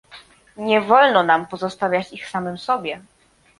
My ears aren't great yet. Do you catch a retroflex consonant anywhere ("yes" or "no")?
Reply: no